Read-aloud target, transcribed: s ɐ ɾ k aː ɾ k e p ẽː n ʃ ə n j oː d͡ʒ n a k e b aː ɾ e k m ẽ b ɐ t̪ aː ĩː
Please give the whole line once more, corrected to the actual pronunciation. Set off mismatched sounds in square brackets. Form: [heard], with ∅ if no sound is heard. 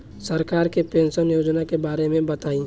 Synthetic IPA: s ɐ ɾ k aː ɾ k e p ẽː n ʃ ə n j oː d͡ʒ n a k e b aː ɾ e [∅] m ẽ b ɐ t̪ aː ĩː